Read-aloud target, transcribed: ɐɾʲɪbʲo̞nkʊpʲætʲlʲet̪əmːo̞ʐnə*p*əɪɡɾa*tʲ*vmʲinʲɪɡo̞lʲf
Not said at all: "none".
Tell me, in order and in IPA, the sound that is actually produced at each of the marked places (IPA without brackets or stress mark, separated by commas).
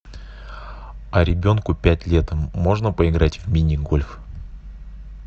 p, tʲ